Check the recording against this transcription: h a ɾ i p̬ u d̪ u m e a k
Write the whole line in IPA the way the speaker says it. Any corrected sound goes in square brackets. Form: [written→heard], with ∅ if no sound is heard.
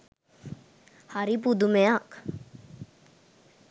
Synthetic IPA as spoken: h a ɾ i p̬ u d̪ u m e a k